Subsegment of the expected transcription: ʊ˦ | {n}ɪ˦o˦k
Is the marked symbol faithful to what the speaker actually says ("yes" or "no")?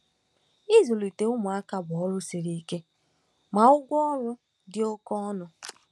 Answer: no